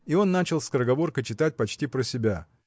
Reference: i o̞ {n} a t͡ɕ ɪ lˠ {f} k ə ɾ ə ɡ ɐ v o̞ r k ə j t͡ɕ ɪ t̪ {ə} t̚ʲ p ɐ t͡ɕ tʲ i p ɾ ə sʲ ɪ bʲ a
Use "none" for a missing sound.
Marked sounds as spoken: nː, s, a

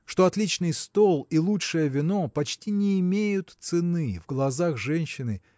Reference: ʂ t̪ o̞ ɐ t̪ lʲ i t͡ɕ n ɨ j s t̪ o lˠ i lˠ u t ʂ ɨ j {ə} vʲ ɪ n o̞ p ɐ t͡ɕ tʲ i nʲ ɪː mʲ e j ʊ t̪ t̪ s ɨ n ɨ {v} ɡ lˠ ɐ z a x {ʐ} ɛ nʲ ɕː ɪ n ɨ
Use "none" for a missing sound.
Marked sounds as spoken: ə, v, ʐ

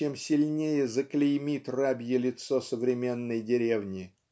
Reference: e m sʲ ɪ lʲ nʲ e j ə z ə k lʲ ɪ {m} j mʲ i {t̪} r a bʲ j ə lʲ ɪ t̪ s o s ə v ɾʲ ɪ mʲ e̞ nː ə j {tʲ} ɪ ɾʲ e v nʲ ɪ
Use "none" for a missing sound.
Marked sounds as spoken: none, t̪, dʲ

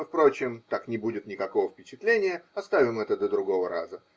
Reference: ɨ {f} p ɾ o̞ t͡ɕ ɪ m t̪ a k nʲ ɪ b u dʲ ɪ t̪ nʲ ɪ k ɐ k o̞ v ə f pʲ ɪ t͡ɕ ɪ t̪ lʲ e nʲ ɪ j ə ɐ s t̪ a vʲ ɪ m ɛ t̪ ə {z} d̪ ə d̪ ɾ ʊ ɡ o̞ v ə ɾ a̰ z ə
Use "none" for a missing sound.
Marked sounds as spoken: f, none

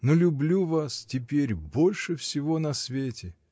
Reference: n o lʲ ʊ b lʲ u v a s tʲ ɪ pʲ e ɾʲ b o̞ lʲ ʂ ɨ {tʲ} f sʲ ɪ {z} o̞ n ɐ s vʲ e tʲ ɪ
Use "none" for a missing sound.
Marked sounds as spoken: none, v

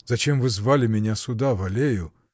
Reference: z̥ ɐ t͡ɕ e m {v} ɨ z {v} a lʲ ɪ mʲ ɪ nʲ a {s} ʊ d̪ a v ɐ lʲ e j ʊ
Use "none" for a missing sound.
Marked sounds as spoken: v, v, s

